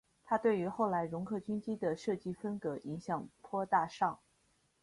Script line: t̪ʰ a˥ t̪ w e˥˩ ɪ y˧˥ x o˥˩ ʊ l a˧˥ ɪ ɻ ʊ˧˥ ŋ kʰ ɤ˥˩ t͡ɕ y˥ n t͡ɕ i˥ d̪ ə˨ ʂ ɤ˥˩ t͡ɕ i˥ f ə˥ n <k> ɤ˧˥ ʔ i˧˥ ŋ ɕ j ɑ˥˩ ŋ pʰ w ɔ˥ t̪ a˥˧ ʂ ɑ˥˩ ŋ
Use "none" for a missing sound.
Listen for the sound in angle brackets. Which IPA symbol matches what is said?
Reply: k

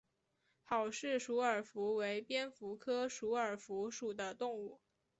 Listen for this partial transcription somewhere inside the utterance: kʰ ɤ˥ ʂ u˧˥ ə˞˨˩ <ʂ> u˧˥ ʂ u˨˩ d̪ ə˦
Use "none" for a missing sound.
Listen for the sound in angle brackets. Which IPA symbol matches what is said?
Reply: f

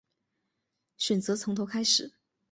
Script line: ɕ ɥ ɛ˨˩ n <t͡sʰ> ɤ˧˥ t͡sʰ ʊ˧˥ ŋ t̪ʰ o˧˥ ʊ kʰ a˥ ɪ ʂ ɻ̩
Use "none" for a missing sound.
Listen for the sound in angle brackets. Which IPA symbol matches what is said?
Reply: t͡s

